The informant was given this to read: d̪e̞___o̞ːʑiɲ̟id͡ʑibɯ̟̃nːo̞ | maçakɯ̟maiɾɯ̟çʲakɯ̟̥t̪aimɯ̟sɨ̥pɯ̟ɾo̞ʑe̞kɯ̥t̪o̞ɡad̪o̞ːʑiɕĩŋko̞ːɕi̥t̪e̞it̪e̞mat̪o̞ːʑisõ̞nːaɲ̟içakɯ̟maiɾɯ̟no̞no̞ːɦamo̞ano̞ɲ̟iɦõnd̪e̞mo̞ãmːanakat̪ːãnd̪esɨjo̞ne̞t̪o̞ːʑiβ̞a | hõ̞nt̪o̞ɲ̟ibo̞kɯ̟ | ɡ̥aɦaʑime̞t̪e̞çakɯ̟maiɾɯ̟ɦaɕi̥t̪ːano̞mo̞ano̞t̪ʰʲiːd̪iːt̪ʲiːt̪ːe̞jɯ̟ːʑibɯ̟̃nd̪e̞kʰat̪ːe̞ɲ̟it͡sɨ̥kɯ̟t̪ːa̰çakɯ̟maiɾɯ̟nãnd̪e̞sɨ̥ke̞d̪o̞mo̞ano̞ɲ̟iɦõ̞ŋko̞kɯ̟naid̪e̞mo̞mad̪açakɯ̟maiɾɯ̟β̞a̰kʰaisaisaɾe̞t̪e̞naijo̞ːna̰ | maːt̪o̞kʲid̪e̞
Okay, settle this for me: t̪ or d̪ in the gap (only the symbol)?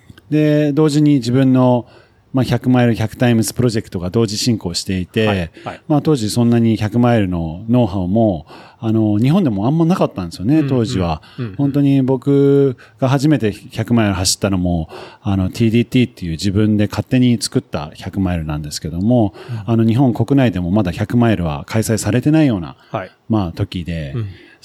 d̪